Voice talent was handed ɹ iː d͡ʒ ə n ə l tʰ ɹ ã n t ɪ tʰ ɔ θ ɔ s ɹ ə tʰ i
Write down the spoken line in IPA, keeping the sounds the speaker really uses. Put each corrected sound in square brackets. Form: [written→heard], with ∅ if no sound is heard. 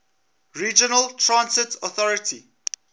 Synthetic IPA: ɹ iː d͡ʒ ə n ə l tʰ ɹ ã n [t→s] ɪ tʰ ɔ θ ɔ [s→∅] ɹ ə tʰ i